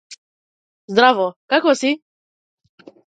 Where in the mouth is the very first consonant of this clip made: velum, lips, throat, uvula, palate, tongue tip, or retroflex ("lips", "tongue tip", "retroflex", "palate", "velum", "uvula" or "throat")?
tongue tip